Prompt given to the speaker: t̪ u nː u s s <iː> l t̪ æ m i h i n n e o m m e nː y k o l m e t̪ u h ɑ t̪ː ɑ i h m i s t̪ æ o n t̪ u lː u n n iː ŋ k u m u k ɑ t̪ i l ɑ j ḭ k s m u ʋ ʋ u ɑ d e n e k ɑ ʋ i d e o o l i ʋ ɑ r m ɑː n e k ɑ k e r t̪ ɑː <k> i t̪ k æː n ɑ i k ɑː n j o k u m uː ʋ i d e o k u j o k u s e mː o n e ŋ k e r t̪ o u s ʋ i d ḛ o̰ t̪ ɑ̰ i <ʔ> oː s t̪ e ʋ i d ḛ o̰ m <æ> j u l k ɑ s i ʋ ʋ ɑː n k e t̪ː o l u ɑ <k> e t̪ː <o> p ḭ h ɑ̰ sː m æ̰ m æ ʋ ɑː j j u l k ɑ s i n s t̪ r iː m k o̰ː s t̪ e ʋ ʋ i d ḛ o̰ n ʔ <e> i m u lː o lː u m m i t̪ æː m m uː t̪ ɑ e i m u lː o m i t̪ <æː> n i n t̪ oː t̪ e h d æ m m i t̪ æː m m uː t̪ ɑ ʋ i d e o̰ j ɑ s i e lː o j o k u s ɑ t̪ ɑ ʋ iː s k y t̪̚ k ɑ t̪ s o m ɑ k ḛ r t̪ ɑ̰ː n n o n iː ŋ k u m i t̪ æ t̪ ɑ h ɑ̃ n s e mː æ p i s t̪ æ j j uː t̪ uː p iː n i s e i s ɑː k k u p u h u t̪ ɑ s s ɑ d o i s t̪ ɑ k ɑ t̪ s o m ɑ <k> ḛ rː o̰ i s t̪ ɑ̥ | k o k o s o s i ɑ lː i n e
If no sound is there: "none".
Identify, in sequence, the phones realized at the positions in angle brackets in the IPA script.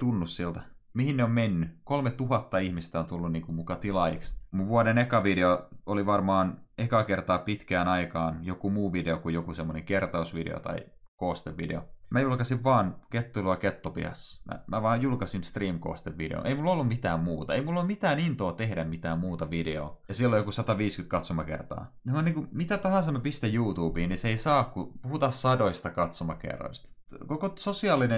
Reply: i, p, k, æ, k, o, e, æː, k

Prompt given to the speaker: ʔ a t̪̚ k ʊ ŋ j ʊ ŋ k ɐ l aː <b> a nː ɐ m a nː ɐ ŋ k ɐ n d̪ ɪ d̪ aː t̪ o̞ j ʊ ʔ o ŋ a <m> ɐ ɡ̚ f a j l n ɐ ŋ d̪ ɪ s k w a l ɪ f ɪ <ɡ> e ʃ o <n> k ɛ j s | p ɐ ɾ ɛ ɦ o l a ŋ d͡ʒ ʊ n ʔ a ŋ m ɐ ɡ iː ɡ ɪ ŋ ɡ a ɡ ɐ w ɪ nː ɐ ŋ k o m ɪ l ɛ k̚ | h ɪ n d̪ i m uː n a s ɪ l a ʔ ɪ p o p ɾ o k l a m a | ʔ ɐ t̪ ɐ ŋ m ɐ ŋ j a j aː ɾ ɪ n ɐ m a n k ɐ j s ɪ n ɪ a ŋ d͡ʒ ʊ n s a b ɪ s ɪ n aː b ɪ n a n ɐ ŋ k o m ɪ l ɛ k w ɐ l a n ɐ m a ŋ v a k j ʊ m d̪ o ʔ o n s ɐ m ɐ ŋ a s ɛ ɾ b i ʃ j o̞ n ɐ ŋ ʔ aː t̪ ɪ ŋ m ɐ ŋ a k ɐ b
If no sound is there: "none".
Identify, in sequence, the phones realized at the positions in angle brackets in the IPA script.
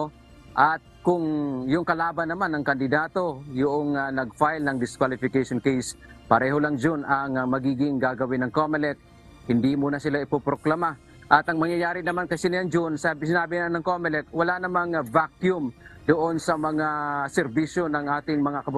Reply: b, n, k, n

